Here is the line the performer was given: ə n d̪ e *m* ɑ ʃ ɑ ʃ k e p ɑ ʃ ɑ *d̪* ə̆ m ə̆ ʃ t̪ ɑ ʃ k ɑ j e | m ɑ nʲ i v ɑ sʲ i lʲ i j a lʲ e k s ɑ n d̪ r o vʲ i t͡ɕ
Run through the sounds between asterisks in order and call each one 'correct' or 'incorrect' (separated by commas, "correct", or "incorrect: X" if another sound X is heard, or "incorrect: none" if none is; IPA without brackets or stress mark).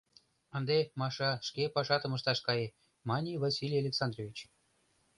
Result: correct, incorrect: t̪